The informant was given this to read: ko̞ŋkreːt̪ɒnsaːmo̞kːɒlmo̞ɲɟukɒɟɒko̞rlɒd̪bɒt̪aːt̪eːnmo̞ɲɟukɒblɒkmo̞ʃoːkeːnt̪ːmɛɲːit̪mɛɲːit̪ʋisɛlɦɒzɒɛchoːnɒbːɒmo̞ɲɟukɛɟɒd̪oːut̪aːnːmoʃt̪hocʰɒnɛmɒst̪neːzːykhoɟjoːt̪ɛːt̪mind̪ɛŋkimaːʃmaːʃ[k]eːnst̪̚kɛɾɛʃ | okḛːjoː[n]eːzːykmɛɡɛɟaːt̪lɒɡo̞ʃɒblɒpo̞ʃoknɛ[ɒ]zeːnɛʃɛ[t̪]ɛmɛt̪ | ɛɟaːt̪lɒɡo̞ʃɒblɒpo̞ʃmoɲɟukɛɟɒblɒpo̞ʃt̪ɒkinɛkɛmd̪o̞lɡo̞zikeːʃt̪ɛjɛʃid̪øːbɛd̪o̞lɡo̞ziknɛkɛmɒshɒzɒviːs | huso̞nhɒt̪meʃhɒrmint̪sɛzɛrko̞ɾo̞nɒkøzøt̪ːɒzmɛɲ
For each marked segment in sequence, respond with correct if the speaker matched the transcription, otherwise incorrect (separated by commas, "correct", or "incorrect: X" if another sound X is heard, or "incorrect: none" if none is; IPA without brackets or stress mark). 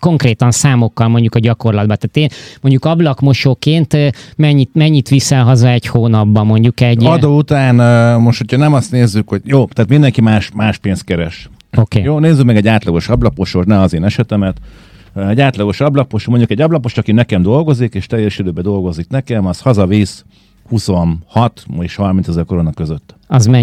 incorrect: p, correct, correct, correct